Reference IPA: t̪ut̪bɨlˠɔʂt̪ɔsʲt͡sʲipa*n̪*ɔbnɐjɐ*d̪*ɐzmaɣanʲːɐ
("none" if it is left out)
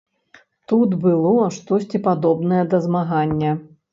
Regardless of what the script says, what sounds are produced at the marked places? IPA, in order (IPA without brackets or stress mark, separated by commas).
d̪, d̪